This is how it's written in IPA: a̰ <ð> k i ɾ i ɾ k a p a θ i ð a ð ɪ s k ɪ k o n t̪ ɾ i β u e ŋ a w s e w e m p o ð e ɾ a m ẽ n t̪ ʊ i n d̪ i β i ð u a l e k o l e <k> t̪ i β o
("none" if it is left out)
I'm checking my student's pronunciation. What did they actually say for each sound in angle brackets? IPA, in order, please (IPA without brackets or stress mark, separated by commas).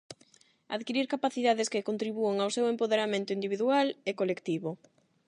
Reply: ð, k